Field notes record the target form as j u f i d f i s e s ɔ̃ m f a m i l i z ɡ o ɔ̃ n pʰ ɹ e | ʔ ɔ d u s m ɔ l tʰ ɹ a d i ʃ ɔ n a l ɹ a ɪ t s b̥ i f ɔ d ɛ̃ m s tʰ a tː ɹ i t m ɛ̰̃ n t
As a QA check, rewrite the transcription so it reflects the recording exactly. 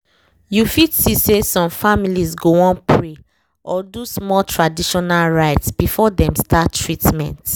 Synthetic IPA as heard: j u f i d s i s e s ɔ̃ m f a m i l i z ɡ o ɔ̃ n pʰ ɹ e | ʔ ɔ d u s m ɔ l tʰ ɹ a d i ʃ ɔ n a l ɹ a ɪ t s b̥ i f ɔ d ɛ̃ m s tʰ a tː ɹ i t m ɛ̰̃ n t